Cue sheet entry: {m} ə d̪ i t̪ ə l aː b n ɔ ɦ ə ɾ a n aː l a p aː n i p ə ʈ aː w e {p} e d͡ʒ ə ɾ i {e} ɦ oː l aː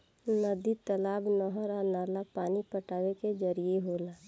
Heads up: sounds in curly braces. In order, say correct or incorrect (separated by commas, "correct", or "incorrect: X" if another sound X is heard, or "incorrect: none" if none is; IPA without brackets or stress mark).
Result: incorrect: n, incorrect: k, correct